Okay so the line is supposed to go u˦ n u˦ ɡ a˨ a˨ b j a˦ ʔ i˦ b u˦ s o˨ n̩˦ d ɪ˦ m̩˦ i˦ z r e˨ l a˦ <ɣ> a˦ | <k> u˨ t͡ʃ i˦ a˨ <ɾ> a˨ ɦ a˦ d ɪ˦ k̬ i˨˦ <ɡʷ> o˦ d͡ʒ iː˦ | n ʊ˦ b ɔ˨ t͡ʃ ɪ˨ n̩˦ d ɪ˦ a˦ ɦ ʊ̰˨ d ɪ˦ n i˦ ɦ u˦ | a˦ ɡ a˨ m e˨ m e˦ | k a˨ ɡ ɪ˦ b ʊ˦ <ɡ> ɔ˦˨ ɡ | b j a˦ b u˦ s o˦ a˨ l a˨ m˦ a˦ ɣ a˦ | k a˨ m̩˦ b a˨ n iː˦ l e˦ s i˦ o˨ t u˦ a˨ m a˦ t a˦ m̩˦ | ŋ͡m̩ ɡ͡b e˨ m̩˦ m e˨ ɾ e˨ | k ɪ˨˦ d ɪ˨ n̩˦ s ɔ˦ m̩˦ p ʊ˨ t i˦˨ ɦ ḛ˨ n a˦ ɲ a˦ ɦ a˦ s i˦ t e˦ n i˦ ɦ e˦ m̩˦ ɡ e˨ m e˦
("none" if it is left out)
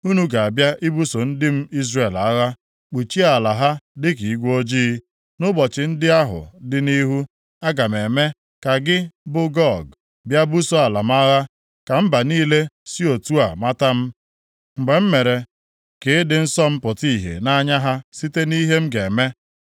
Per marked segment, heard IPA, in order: ɣ, k͡p, l, ɡʷ, ɡ

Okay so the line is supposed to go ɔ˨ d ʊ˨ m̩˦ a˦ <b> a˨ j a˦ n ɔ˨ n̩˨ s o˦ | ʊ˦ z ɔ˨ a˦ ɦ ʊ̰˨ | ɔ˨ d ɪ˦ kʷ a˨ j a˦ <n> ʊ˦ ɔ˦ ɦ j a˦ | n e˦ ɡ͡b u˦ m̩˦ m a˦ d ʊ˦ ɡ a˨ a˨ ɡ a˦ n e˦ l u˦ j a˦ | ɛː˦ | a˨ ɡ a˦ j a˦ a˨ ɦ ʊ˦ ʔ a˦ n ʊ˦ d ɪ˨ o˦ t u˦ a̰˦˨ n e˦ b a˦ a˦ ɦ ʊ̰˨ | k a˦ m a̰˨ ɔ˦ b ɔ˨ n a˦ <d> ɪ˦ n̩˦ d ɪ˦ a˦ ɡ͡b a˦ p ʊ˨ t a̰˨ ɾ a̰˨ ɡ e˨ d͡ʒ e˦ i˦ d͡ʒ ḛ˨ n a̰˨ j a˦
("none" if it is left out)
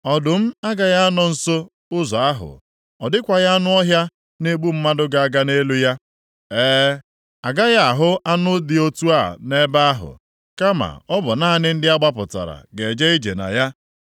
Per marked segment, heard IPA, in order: ɡ, n, n

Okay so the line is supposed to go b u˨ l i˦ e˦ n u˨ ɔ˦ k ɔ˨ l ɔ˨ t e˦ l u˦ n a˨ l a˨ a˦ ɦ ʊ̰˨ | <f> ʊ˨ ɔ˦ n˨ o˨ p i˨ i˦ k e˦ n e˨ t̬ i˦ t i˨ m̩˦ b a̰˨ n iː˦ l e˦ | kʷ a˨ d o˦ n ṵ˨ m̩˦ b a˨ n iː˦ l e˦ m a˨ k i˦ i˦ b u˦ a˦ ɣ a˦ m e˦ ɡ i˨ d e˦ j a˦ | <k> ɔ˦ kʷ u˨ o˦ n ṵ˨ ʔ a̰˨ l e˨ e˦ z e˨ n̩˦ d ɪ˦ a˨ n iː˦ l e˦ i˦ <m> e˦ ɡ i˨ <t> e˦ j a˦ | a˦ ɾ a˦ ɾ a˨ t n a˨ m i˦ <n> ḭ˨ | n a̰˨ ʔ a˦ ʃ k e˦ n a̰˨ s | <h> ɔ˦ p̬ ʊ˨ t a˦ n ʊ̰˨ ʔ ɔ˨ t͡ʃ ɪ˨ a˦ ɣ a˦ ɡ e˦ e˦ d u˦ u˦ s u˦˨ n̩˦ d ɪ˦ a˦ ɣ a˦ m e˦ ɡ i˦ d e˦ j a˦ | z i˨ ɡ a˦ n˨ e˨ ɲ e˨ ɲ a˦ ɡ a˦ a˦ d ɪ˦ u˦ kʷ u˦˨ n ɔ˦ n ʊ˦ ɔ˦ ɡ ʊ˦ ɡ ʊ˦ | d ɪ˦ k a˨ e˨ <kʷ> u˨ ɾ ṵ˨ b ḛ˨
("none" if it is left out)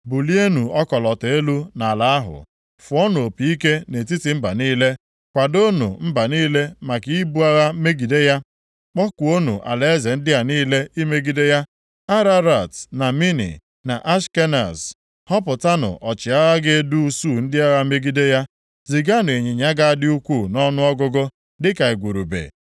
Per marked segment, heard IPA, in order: f, k͡p, m, d, n, h, ɡʷ

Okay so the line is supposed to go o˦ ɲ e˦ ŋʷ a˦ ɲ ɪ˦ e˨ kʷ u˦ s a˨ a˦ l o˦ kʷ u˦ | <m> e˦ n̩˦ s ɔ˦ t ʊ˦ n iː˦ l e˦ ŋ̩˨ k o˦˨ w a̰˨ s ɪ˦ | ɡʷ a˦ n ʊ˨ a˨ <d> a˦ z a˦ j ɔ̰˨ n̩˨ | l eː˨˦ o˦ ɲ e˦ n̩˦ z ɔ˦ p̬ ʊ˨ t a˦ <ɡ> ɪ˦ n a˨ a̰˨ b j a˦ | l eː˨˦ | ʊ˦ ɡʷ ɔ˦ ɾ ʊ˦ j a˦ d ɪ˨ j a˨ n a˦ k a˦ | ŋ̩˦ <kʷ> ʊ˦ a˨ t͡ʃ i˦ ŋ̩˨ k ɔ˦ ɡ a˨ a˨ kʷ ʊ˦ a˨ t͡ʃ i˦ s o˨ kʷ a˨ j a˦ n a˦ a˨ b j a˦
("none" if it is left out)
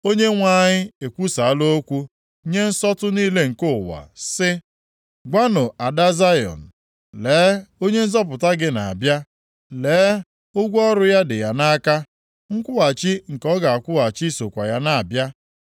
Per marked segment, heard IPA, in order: ɲ, d, ɡ, kʷ

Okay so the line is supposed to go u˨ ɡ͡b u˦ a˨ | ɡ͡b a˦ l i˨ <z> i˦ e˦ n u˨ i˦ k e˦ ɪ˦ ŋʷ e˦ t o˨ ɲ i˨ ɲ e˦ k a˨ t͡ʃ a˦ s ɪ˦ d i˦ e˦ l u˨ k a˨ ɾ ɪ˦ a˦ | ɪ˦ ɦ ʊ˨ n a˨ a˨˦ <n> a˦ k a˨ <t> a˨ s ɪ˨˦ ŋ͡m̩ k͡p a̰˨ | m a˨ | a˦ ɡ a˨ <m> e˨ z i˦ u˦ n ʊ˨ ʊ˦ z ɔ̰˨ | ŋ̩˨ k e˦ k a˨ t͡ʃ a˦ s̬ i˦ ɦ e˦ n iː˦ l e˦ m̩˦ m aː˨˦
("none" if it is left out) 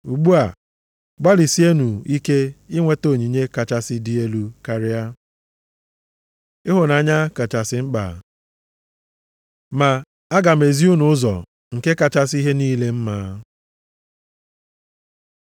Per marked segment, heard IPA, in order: s, ɲ, t͡ʃ, m

